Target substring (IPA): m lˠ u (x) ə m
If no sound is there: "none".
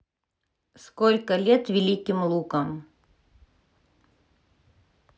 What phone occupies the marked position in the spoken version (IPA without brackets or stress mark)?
k